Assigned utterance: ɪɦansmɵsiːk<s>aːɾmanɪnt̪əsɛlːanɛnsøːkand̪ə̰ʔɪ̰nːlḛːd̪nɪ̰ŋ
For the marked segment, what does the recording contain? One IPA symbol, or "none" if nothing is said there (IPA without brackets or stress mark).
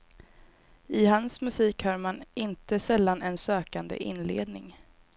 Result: h